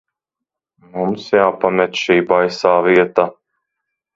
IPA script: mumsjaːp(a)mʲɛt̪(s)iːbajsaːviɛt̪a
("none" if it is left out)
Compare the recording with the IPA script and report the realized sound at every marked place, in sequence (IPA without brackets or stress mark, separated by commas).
a, ʃ